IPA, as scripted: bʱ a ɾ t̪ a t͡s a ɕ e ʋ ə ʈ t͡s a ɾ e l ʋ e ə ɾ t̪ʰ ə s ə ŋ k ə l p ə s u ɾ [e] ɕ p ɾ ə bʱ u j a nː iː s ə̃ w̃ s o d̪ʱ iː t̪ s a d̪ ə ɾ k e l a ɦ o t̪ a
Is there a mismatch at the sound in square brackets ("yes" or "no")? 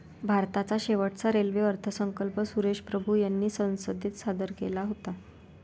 no